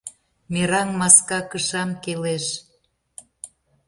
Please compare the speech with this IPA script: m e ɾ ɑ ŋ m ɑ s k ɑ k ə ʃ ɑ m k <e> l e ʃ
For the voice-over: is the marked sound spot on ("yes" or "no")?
yes